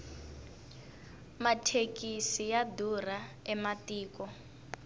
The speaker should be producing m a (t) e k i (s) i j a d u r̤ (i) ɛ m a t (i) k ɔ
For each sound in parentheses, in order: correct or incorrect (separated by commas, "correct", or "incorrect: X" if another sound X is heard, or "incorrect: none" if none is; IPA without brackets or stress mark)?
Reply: incorrect: tʰ, correct, incorrect: a, incorrect: iː